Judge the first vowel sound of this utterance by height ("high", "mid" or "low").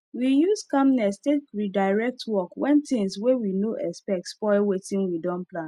high